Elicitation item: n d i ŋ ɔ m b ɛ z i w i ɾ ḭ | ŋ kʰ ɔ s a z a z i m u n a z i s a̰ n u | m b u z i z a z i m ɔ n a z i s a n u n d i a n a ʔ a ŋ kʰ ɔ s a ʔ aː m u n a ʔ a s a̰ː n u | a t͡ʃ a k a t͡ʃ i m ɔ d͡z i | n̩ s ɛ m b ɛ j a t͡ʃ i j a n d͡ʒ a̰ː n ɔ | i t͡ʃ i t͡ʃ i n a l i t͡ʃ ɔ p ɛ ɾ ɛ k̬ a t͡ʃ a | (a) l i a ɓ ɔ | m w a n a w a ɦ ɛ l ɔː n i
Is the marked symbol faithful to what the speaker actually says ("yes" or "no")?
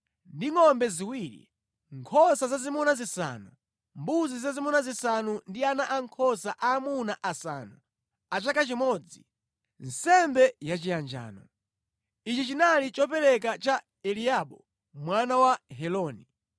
no